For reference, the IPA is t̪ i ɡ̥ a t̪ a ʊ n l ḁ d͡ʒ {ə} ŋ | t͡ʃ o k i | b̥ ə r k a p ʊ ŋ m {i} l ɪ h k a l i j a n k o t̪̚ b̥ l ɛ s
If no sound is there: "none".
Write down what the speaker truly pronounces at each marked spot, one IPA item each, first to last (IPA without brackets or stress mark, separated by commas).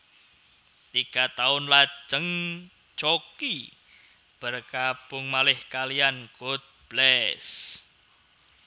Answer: ə, a